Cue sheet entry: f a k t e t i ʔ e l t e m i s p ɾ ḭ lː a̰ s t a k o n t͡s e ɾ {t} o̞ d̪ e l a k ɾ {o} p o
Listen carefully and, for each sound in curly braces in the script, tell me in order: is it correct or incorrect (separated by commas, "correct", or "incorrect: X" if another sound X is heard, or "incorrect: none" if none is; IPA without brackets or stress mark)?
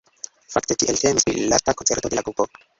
correct, incorrect: u